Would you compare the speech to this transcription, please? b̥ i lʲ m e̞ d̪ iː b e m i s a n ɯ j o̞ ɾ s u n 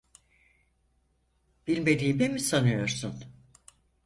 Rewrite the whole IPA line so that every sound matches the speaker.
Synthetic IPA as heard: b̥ i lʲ m e̞ d̪ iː b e m i s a n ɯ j o̞ ɾ s u n